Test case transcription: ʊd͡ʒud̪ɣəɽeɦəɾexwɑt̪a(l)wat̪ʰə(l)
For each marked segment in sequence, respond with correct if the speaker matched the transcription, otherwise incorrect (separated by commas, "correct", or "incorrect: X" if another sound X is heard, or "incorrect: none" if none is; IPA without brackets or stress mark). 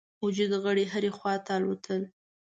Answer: correct, correct